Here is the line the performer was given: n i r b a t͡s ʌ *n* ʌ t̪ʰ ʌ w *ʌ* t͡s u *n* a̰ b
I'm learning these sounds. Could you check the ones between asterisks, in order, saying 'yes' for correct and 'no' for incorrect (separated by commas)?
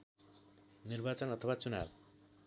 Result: yes, no, yes